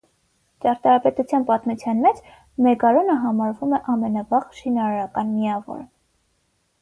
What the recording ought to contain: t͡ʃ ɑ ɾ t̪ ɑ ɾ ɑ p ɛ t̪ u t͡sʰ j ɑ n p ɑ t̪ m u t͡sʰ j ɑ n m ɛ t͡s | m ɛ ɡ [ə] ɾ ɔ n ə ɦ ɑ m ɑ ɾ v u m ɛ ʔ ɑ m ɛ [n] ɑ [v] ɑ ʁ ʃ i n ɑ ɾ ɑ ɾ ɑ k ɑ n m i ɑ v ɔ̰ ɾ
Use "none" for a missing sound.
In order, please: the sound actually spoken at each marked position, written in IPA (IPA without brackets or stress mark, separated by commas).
ɑ, n, v